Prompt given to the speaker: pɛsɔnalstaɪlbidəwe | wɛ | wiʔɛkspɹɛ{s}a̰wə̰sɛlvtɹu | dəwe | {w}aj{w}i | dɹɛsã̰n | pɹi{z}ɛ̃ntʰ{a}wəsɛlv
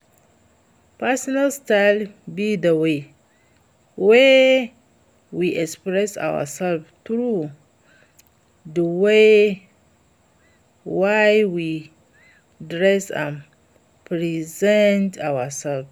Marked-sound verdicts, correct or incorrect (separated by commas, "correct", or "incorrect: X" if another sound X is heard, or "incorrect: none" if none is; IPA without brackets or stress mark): correct, correct, correct, correct, correct